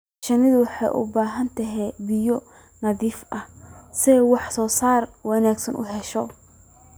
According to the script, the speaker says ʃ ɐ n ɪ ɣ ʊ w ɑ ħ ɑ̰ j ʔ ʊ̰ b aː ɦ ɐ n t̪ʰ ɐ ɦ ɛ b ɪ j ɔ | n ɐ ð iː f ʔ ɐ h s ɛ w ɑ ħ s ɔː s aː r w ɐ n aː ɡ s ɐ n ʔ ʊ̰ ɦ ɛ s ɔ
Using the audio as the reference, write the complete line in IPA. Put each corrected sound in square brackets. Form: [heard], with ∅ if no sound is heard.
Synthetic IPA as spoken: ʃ ɐ n ɪ [ð] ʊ w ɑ ħ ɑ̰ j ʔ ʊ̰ b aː ɦ ɐ n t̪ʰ ɐ ɦ ɛ b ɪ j ɔ | n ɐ ð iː f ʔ ɐ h s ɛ w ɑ ħ s ɔː s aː r w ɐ n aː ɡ s ɐ n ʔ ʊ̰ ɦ ɛ [ʃ] ɔ